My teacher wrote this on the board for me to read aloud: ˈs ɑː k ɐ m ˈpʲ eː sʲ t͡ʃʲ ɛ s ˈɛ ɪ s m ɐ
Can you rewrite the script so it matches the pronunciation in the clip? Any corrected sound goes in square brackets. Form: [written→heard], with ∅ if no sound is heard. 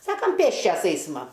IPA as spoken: ˈs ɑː k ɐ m ˈpʲ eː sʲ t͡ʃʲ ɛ s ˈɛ ɪ s m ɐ